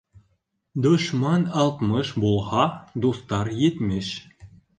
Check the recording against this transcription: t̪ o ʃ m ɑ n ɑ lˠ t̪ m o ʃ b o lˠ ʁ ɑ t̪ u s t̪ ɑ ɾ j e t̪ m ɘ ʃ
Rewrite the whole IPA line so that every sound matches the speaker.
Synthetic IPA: d̪ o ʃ m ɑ n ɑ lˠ t̪ m ɤ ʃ b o lˠ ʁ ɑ d̪ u s t̪ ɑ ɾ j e t̪ m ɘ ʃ